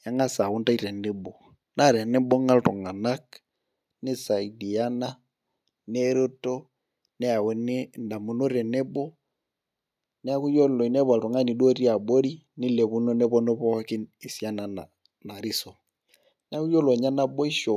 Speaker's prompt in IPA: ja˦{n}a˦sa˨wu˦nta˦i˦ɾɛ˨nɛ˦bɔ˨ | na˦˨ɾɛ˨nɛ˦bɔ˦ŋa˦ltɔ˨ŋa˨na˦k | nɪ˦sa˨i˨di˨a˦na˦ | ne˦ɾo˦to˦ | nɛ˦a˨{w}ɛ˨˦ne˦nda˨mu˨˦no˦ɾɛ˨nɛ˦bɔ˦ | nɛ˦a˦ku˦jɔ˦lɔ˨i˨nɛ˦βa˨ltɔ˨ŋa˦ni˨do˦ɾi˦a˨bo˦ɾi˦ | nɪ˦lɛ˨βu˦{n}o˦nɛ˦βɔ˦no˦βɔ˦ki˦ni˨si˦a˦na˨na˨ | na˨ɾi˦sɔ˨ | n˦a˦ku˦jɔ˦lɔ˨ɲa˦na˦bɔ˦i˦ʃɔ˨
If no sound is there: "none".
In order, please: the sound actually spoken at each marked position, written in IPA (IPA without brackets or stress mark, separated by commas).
ŋ, w, n